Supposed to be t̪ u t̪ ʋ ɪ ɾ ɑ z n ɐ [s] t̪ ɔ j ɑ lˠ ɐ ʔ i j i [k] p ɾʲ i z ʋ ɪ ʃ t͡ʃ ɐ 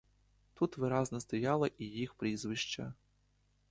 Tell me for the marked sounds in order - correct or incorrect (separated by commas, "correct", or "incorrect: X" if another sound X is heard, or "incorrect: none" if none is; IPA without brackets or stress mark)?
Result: correct, incorrect: x